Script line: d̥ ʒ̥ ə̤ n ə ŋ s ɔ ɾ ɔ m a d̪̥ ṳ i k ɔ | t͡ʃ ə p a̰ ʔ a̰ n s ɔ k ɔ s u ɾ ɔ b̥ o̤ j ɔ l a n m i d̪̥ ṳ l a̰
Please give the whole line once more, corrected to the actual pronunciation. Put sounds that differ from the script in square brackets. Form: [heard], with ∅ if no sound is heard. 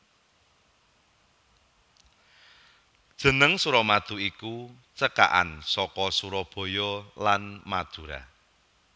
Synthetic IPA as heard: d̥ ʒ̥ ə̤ n ə ŋ s [u] ɾ ɔ m a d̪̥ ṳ i k [u] | t͡ʃ ə [k] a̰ ʔ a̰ n s ɔ k ɔ s u ɾ ɔ b̥ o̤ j ɔ l a n m [a] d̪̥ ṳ [ɾ] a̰

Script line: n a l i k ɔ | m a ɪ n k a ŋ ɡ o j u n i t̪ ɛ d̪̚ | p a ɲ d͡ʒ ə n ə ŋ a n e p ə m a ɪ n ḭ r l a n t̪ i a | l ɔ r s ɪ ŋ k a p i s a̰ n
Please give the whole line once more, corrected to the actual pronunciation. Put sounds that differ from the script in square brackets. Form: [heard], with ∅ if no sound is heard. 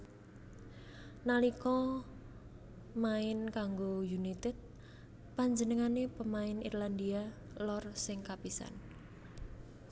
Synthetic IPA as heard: n a l i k ɔ | m a ɪ n k a ŋ ɡ o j u n i t̪ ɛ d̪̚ | p a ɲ d͡ʒ ə n ə ŋ a n e p ə m a ɪ n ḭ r l a n [d̪] i a | l ɔ r s ɪ ŋ k a p i s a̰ n

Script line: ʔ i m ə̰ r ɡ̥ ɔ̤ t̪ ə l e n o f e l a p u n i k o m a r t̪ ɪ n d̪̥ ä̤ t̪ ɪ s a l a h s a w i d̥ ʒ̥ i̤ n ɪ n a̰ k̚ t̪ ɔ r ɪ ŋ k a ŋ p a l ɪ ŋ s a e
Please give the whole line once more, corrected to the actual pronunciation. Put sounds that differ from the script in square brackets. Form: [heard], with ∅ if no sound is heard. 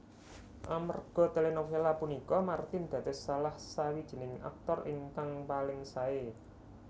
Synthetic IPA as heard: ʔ [a] m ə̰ r ɡ̥ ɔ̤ t̪ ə l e n o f e l a p u n i k [ɔ] m a r t̪ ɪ n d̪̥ ä̤ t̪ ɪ s a l a h s a w i d̥ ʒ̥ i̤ n ɪ [ŋ] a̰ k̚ t̪ ɔ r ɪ ŋ k a ŋ p a l ɪ ŋ s a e

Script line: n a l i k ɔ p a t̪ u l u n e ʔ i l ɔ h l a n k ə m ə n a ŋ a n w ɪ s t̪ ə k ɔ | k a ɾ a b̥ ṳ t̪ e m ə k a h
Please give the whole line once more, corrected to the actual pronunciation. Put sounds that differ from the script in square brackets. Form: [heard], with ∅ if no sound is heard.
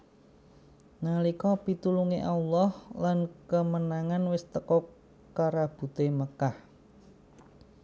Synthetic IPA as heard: n a l i k ɔ p [i] t̪ u l u [ŋ] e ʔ [a] l ɔ h l a n k ə m ə n a ŋ a n w ɪ s t̪ ə k ɔ | k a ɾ a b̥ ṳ t̪ e m ə k a h

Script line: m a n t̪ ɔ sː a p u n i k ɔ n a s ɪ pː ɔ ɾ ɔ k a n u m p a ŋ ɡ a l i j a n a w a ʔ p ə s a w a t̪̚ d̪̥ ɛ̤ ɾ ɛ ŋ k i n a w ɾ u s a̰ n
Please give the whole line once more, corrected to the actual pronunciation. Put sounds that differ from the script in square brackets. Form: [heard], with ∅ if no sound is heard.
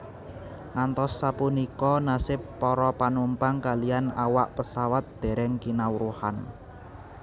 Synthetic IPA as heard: [ŋ] a n t̪ ɔ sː a p u n i k ɔ n a s ɪ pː ɔ ɾ ɔ [p] a n u m p a ŋ [k] a l i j a n a w a ʔ p ə s a w a t̪̚ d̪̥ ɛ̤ ɾ ɛ ŋ k i n a w ɾ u [h] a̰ n

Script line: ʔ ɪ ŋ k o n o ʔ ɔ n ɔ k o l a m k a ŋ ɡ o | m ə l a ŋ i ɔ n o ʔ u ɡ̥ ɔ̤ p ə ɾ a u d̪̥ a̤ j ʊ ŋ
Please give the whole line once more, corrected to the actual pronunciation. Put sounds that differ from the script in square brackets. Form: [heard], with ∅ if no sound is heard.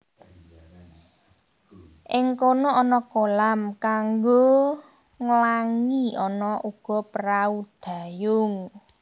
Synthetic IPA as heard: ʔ ɪ ŋ k o n o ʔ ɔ n ɔ k o l a m k a ŋ ɡ o | [ŋ] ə l a ŋ i ɔ n [ɔ] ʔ u ɡ̥ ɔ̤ p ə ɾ a u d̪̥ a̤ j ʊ ŋ

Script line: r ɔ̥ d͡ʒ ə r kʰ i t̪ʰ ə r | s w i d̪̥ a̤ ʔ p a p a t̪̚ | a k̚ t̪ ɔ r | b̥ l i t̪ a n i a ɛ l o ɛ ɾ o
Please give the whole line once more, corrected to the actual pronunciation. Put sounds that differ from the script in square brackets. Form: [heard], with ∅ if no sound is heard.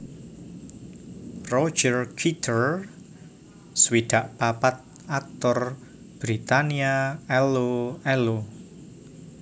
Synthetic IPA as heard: r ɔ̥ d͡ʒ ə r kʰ i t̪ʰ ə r | s w i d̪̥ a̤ ʔ p a p a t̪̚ | a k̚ t̪ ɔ r | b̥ [ɾ] i t̪ a n i a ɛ l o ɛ [l] o

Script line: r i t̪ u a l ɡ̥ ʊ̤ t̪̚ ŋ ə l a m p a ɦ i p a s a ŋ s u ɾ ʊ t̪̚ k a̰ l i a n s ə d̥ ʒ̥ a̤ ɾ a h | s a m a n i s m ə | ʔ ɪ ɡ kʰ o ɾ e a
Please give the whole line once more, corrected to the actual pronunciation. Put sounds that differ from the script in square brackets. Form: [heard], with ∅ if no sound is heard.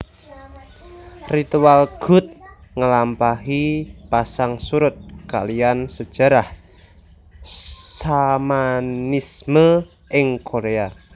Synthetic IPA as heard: r i t̪ u a l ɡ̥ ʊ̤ t̪̚ ŋ ə l a m p a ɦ i p a s a ŋ s u ɾ ʊ t̪̚ k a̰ l i a n s ə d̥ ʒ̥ a̤ ɾ a h | s a m a n i s m ə | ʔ ɪ [ŋ] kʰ o ɾ e a

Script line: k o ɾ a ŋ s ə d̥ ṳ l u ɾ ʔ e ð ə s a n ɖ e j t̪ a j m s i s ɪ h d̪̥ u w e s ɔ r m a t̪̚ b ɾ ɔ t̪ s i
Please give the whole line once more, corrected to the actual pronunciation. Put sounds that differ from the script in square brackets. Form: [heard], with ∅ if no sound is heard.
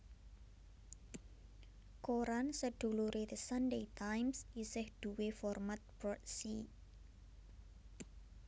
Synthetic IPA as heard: k o ɾ a [n] s ə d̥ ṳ l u ɾ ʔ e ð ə s a n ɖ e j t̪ a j m s i s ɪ h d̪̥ u w e [f] ɔ r m a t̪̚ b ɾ ɔ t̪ s i

